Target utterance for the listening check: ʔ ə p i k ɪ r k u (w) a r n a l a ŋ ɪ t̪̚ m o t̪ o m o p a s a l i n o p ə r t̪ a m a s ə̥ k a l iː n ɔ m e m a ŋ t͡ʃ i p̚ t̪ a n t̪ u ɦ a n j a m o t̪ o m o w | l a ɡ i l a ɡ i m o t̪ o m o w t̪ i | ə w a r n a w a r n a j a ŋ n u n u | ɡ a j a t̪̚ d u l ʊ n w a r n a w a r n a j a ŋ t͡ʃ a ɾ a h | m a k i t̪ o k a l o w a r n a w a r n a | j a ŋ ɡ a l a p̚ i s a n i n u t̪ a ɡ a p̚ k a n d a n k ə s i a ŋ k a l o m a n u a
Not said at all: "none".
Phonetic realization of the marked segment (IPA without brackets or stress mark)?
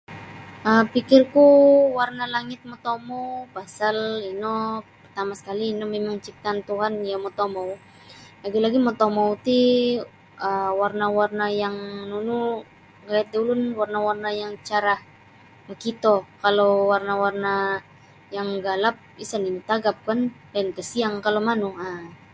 w